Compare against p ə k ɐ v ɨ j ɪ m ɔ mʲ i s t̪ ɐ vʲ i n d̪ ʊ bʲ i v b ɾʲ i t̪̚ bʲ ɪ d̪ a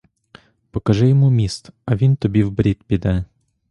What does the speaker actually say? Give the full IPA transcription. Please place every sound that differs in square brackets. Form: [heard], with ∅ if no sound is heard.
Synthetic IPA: p ə k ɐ [ʐ] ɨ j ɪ m [u] mʲ i s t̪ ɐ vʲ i n [t̪] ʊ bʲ i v b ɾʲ i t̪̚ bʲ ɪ d̪ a